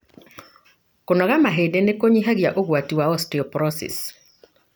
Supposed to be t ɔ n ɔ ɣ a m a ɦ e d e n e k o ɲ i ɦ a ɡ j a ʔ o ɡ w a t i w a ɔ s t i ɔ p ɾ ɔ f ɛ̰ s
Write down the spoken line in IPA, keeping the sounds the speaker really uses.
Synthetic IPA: k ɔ n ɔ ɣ a m a ɦ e d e n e k o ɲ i ɦ a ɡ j a ʔ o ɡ w a t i w a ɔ s t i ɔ p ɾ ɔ s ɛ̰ s

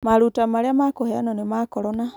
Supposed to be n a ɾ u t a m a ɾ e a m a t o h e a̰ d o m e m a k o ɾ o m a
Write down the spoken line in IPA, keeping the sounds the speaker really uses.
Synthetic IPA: m a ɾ u t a m a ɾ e a m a k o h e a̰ n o n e m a k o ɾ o n a

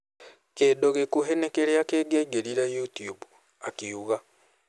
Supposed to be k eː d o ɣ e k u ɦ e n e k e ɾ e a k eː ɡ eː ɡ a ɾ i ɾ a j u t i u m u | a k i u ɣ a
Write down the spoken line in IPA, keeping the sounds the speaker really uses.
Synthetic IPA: k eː d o ɣ e k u ɦ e n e k e ɾ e a k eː ɡ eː ɡ e ɾ i ɾ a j u t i u b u | a k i u ɣ a

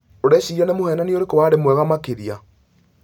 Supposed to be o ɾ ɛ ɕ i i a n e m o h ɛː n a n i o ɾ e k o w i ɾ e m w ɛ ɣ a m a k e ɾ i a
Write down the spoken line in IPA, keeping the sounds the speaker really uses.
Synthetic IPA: o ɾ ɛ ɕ i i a n e m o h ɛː n a n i o ɾ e k o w a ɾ e m w ɛ ɣ a m a k e ɾ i a

